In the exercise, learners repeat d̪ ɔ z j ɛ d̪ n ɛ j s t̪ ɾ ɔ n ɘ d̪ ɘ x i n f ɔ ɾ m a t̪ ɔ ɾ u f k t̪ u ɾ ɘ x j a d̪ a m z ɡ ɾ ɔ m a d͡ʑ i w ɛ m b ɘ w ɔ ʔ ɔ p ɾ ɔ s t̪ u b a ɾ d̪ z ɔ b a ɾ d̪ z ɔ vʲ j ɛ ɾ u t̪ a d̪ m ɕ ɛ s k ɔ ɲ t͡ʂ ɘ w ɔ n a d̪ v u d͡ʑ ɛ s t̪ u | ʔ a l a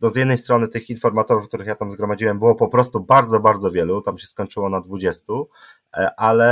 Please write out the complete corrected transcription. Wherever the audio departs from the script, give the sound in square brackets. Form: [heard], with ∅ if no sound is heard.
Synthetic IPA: d̪ ɔ z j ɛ d̪ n ɛ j s t̪ ɾ ɔ n ɘ [t̪] ɘ x i n f ɔ ɾ m a t̪ ɔ ɾ u f k t̪ u ɾ ɘ x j a [t̪] a m z ɡ ɾ ɔ m a d͡ʑ i w ɛ m b ɘ w ɔ [p] ɔ p ɾ ɔ s t̪ u b a ɾ d̪ z ɔ b a ɾ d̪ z ɔ vʲ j ɛ [l] u t̪ a [∅] m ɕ ɛ s k ɔ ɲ t͡ʂ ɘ w ɔ n a d̪ v u d͡ʑ ɛ s t̪ u | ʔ a l [ɛ]